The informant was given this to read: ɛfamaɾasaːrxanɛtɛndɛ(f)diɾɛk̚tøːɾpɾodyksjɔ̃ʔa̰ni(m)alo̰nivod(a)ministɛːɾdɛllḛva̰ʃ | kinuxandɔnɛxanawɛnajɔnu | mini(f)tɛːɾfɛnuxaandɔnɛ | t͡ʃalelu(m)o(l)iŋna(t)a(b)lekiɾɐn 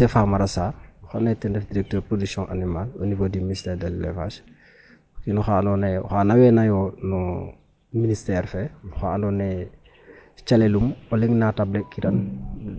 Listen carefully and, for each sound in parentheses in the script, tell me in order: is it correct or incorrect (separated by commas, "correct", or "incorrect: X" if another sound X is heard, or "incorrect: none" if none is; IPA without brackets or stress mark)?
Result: correct, correct, incorrect: i, incorrect: s, correct, correct, correct, correct